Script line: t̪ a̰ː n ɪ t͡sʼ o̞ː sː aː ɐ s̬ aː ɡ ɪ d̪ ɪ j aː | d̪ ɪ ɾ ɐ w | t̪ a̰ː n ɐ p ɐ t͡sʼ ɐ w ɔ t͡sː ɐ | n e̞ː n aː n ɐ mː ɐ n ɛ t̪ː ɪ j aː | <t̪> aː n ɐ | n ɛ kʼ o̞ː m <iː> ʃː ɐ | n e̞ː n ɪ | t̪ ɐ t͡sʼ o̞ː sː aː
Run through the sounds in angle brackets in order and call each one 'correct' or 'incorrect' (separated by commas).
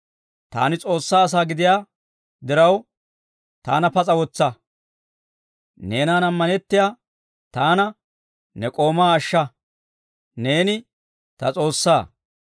correct, incorrect